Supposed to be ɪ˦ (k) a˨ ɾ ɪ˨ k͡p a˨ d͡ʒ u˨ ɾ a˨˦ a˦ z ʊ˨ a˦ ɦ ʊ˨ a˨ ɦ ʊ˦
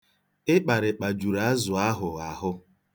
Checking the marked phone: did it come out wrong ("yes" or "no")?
yes